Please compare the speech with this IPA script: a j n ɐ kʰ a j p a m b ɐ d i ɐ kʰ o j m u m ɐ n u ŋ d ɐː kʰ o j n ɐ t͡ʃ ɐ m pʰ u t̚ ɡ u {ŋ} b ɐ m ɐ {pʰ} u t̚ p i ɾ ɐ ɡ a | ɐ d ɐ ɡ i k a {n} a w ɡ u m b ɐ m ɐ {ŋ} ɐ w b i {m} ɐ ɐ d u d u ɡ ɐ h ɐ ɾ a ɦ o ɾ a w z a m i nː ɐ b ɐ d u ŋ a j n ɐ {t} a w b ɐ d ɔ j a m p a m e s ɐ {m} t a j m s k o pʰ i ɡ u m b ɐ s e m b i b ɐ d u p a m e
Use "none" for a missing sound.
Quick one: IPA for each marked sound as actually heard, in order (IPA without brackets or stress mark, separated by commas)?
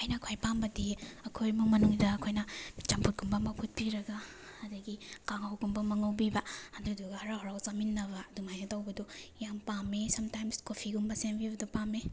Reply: m, pʰ, ŋ, ŋ, b, t, m